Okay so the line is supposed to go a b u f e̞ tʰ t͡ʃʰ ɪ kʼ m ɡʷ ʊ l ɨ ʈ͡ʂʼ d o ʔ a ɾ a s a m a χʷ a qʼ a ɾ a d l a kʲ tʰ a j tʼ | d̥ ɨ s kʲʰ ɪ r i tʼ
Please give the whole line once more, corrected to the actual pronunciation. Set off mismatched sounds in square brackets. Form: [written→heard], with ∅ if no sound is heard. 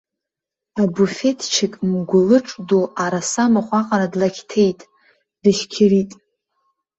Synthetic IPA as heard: a b u f e̞ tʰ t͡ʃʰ ɪ kʼ m ɡʷ ʊ l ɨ ʈ͡ʂʼ d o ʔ a ɾ a s a m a χʷ a qʼ a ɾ a d l a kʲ tʰ [a→e] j tʼ | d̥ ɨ [s→ʃ] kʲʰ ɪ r i tʼ